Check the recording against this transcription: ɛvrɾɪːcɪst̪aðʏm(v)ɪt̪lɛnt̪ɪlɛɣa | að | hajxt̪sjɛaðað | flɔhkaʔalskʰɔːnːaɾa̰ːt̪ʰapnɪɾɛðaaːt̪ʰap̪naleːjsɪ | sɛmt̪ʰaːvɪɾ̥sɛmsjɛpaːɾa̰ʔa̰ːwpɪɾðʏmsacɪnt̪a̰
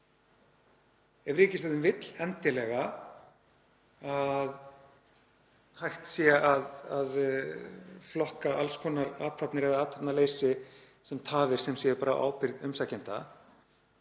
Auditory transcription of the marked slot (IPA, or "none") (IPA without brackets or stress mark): v